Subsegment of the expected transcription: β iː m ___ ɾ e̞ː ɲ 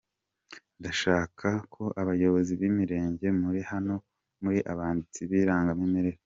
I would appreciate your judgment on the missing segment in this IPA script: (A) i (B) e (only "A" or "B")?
A